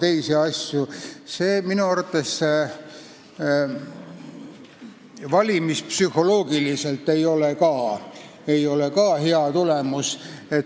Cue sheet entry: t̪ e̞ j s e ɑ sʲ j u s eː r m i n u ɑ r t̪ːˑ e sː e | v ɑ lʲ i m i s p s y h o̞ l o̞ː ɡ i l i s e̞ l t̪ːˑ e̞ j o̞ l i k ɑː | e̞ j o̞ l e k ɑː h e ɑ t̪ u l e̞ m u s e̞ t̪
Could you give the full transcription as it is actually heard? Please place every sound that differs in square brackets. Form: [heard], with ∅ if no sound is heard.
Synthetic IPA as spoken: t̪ e̞ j s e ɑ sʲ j u s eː [∅] m i n u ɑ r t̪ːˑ e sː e | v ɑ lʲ i m i s p s y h o̞ l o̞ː ɡ i l i s e̞ l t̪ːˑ e̞ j o̞ l [e] k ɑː | e̞ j o̞ l e k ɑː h e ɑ t̪ u l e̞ m u s e̞ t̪